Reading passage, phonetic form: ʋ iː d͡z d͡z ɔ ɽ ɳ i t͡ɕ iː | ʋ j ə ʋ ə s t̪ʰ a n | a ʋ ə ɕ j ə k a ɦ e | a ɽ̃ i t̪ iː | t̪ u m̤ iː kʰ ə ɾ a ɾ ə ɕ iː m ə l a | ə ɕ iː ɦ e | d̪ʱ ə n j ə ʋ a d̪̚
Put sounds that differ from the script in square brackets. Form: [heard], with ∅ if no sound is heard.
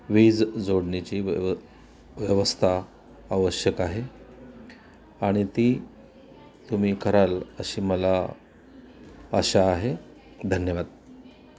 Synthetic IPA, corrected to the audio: ʋ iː d͡z d͡z [o] ɽ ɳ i t͡ɕ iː | ʋ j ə ʋ ə s t̪ʰ a [∅] | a ʋ ə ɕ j ə k a ɦ e | a ɽ̃ i t̪ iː | t̪ u m̤ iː kʰ ə ɾ a [l] ə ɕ iː m ə l a | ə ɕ [aː] ɦ e | d̪ʱ ə n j ə ʋ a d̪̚